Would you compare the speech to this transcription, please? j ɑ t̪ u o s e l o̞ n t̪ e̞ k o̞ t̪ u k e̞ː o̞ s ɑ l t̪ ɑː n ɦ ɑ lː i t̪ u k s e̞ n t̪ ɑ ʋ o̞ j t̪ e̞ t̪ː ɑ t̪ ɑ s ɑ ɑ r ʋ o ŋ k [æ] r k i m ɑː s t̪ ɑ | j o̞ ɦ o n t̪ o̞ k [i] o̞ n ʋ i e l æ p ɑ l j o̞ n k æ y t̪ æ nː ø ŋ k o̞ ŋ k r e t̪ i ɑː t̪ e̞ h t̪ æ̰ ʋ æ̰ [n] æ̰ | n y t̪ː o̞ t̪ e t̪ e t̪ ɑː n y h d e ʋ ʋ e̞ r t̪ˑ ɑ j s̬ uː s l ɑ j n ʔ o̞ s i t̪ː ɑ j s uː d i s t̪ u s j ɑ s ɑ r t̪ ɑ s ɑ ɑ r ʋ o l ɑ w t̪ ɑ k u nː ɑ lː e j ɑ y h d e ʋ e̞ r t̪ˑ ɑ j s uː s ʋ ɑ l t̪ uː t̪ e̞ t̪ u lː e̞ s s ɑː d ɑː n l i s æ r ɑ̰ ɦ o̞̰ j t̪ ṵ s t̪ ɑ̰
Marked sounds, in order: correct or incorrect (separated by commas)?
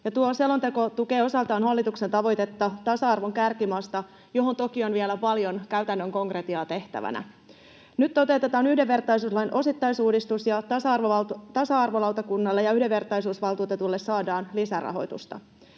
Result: correct, correct, correct